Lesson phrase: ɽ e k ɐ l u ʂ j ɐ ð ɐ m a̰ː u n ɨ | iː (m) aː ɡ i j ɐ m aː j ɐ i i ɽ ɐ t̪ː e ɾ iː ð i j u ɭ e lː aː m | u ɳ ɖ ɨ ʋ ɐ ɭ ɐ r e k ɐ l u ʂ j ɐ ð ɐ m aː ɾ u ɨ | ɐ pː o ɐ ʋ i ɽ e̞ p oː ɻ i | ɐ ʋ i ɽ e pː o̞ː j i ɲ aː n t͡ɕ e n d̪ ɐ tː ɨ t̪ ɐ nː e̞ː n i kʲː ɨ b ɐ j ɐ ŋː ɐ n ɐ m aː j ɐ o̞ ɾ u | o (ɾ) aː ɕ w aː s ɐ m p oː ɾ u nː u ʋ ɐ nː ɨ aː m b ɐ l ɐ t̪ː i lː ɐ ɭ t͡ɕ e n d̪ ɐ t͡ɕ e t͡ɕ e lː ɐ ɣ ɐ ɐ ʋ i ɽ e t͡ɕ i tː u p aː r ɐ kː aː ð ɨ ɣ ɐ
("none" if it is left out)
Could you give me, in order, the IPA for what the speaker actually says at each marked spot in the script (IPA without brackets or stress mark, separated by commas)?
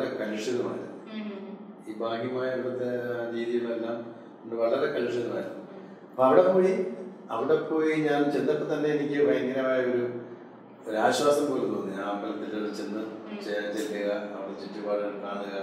b, ɾ